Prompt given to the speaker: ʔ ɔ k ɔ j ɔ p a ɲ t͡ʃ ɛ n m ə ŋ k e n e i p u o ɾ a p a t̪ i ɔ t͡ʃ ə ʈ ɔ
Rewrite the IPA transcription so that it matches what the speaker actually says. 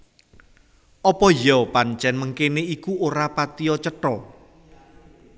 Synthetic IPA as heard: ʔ ɔ p ɔ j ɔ p a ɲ t͡ʃ ɛ n m ə ŋ k e n e i k u o ɾ a p a t̪ i ɔ t͡ʃ ə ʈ ɔ